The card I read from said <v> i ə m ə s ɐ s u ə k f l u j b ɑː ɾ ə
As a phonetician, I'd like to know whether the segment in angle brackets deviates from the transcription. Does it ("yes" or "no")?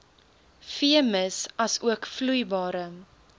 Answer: yes